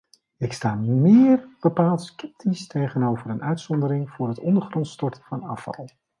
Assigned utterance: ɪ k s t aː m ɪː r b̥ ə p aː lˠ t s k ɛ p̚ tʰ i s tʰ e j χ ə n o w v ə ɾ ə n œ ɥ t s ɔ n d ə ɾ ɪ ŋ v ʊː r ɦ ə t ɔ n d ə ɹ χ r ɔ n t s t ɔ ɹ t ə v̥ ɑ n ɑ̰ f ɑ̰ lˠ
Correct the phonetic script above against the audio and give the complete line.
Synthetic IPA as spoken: ɪ k s t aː m ɪː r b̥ ə p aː lˠ t s k ɛ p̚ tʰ i s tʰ e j χ ə n o w v ə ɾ ə n œ ɥ t s ɔ n d ə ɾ ɪ ŋ v ʊː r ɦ ə t ɔ n d ə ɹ χ r ɔ n t s t ɔ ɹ t ə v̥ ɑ n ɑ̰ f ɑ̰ lˠ